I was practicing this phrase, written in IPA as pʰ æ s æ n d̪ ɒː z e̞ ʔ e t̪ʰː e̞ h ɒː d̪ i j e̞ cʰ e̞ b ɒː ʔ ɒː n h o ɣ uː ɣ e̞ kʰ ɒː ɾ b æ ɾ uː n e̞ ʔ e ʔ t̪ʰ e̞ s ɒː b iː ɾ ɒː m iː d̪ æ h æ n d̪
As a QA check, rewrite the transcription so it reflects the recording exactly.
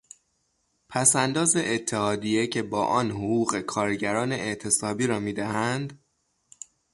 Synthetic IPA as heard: pʰ æ s æ n d̪ ɒː z e̞ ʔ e t̪ʰː e̞ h ɒː d̪ i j e̞ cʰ e̞ b ɒː ʔ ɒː n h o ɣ uː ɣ e̞ kʰ ɒː ɾ ɟ æ ɾ ɒː n e̞ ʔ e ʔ t̪ʰ e̞ s ɒː b iː ɾ ɒː m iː d̪ æ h æ n d̪